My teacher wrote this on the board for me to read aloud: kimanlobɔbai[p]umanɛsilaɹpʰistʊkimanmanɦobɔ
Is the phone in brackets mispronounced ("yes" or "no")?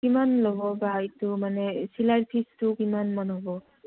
yes